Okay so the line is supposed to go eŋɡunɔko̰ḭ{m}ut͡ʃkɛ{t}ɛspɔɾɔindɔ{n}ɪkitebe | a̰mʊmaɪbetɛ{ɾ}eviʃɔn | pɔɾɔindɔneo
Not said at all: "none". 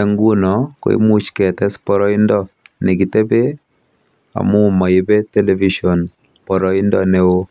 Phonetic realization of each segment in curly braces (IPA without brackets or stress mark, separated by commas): m, t, n, l